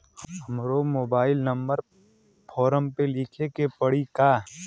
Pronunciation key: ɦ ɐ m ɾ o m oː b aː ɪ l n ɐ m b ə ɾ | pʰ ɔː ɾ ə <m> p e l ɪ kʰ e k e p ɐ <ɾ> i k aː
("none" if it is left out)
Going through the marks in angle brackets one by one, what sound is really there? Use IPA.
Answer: m, ɽ

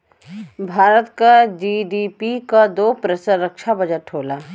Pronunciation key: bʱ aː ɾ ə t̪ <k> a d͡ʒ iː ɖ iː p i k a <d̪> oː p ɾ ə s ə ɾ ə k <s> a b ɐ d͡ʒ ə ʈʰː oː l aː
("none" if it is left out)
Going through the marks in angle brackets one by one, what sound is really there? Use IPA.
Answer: k, d̪, ʃ

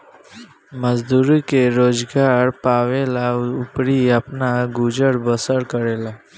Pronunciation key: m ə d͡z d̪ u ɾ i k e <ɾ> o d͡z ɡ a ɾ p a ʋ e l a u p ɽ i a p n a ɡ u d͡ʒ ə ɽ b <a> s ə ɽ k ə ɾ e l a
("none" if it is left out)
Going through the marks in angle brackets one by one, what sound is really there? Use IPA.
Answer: ɾ, ə

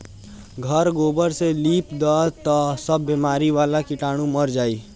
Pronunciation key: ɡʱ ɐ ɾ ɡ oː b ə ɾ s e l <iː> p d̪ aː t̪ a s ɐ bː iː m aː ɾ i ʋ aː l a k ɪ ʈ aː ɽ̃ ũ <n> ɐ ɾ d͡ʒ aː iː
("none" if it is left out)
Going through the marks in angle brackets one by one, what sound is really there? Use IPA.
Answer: iː, m

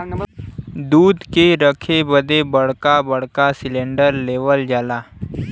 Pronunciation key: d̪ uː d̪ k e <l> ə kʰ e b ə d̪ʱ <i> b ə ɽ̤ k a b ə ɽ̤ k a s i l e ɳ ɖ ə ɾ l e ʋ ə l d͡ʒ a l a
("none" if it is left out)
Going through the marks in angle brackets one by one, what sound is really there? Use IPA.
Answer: ɾ, e

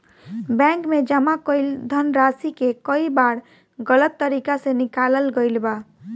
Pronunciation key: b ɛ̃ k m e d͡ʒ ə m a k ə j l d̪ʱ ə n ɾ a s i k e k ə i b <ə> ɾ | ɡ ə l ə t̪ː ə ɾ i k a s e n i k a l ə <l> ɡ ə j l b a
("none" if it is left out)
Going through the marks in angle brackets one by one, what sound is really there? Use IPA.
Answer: a, l

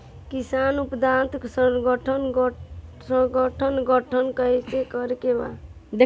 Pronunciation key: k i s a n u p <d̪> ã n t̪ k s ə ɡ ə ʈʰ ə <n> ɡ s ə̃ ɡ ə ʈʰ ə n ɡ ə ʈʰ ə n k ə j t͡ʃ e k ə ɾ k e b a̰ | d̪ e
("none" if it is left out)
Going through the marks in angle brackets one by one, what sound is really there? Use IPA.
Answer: d̪, n

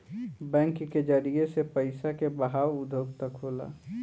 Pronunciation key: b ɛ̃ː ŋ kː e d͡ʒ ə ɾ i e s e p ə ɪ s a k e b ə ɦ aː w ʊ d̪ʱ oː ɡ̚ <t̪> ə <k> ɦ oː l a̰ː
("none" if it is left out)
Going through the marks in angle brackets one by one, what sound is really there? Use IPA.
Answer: t̪, k

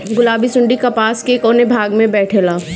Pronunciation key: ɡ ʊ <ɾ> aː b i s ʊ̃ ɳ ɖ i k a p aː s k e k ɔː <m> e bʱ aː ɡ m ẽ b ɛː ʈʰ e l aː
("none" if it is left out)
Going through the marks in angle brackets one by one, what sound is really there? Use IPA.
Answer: l, n

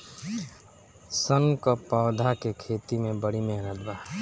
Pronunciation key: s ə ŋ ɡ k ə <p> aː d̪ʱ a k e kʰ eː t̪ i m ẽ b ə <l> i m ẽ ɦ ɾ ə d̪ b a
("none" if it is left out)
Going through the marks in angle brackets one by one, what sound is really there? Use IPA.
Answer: p, ɽ

